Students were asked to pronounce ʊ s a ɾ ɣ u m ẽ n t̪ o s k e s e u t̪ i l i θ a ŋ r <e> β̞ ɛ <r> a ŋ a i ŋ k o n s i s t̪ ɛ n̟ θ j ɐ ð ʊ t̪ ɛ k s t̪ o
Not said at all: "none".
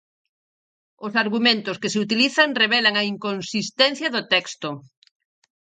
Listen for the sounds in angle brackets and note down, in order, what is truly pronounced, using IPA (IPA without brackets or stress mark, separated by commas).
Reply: e, l